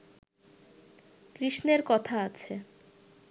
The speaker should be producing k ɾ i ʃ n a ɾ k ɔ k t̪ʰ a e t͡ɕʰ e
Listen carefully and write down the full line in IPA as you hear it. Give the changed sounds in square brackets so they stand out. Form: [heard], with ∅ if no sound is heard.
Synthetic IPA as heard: k ɾ i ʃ n [e] ɾ k ɔ [∅] t̪ʰ a [a] t͡ɕʰ e